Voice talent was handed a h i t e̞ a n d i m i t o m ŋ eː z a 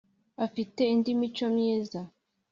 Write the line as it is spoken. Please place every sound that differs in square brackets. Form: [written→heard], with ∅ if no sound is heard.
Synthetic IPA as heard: a [h→f] i t e̞ [a→i] n d i m i [t→t͡ʃ] o m [ŋ→ɲ] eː z a